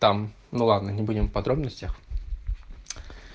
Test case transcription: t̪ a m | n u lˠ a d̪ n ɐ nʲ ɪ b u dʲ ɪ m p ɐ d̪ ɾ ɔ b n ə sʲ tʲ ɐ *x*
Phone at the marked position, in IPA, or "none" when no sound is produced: x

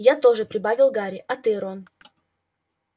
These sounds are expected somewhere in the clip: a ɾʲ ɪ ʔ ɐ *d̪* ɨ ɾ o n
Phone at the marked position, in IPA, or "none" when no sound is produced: t̪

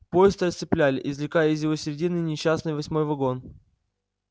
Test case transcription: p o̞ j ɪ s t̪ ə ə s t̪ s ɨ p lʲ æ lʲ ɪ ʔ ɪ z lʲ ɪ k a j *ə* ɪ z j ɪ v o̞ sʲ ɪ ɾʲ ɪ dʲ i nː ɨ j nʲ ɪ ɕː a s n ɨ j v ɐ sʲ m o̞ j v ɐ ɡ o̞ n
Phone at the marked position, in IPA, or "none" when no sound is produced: ə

